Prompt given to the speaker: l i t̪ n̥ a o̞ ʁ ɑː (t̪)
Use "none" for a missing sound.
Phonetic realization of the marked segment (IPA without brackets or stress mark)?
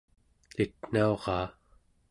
none